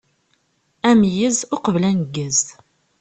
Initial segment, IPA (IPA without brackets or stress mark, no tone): æ